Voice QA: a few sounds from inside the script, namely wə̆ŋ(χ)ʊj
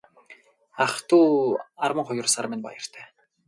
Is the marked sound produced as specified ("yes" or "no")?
yes